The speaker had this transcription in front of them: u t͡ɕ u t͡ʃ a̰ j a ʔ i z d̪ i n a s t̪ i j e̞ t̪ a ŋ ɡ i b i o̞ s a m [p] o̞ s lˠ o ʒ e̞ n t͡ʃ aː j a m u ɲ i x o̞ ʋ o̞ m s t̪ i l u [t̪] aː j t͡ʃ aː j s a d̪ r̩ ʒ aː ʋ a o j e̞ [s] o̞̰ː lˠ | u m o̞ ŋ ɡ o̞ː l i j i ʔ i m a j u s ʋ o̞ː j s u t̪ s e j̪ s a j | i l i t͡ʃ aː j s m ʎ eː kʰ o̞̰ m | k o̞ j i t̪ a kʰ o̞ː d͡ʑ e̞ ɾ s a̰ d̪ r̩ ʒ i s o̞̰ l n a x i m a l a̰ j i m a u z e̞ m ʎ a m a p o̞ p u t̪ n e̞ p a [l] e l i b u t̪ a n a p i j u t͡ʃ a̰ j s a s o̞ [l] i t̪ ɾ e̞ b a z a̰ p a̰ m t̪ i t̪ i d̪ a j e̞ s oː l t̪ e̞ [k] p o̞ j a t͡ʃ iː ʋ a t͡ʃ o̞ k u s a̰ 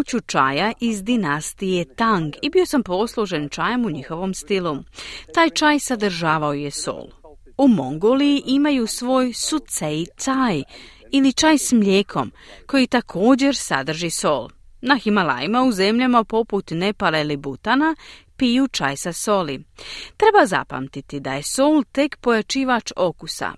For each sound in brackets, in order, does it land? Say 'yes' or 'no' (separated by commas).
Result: yes, yes, yes, yes, yes, yes